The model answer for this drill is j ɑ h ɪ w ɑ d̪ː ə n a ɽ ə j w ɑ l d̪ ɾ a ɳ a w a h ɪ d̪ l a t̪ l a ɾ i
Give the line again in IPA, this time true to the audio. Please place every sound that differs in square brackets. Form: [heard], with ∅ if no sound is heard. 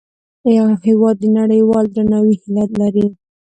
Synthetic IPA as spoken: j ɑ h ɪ w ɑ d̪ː ə n a ɽ ə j w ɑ l d̪ ɾ a [n] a w [i] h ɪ [∅] l a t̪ l a ɾ i

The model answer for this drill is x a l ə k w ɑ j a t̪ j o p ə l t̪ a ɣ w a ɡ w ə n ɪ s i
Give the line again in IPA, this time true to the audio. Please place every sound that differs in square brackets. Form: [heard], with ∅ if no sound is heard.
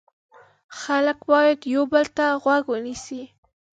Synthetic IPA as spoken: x a l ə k w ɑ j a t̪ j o [b] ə l t̪ a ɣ w a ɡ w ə n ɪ s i

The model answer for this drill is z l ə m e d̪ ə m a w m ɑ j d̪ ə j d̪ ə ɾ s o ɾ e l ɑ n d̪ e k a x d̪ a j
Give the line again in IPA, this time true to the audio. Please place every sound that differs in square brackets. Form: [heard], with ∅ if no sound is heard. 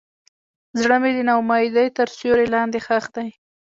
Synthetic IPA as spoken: z [ɽ] ə m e d̪ ə [n] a w m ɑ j d̪ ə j [t̪] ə ɾ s o ɾ e l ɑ n d̪ e [x] a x d̪ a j

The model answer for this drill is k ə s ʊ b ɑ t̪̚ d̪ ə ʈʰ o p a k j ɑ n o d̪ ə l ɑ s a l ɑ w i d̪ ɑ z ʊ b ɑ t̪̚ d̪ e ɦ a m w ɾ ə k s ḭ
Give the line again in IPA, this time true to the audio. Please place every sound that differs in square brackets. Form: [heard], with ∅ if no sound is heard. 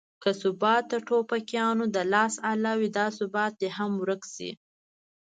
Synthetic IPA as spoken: k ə s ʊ b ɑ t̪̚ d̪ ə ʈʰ o p a k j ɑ n o d̪ ə l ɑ s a l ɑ w i d̪ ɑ [s] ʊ b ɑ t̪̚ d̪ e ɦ a m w ɾ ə k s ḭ

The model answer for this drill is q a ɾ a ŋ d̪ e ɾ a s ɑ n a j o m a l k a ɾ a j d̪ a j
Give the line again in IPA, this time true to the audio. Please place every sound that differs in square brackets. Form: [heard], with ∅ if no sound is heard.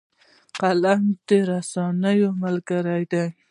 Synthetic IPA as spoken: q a [l] a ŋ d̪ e ɾ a s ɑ n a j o m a l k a ɾ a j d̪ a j

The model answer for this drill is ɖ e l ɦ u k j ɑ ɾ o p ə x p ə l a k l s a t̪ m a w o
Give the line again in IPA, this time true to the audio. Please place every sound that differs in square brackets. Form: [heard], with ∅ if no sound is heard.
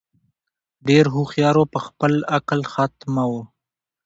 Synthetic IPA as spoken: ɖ e [ɾ] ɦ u [x] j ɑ ɾ o p ə x p ə l a k l [x] a t̪ m a w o

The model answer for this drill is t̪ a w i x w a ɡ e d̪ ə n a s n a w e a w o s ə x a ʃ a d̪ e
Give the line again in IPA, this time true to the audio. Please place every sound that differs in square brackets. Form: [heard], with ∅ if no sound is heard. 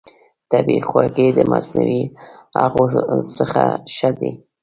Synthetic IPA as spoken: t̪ a [b] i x w a ɡ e d̪ ə [m] a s n a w [i] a [ɣ] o s ə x a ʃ a d̪ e

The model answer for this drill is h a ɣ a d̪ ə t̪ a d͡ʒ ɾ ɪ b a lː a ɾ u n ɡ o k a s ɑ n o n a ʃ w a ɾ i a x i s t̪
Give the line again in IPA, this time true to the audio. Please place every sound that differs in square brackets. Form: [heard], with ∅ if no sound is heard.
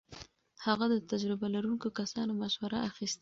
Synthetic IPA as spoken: h a ɣ a d̪ ə t̪ a d͡ʒ ɾ ɪ b a [l] a ɾ u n [k] o k a s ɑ n o [m] a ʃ w a ɾ [a] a x i s t̪

